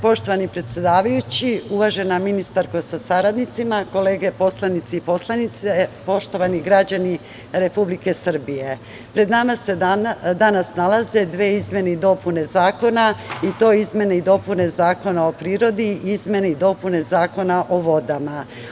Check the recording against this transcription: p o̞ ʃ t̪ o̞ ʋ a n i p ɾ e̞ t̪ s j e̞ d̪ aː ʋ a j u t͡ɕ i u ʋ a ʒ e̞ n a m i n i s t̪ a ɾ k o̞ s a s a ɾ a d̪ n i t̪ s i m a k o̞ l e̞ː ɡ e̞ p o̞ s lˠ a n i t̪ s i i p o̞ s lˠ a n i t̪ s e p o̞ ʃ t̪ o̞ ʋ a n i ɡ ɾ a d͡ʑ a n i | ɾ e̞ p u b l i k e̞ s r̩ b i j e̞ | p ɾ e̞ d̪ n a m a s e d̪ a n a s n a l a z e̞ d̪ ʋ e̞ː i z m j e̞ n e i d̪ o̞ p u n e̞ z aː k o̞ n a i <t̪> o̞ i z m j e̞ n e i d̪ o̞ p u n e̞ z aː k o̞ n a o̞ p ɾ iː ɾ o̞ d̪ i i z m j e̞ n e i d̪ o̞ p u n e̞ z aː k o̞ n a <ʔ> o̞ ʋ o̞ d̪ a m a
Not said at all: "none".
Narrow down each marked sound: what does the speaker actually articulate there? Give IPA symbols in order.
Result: t̪, ʔ

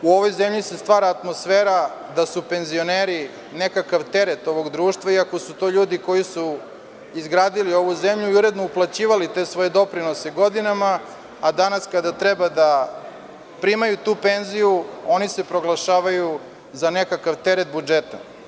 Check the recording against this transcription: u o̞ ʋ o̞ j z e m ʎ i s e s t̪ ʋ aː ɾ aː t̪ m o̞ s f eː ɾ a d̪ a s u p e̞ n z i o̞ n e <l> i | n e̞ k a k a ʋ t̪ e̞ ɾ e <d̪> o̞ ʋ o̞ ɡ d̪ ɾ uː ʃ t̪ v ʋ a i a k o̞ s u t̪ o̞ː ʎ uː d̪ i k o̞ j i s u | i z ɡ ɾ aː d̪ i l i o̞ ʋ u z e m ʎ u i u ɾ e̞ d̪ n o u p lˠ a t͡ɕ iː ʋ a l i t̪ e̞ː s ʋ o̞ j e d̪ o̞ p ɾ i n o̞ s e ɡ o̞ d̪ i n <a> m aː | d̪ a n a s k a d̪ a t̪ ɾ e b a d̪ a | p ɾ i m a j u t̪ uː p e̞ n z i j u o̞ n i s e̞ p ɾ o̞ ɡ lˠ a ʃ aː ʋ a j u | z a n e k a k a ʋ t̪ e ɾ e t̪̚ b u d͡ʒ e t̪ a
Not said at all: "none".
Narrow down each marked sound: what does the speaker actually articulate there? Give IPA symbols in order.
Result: ɾ, t̪, a

